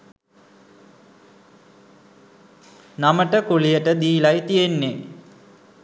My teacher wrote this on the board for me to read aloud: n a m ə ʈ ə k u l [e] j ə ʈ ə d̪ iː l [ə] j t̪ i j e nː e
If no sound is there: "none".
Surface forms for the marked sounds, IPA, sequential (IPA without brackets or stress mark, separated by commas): i, a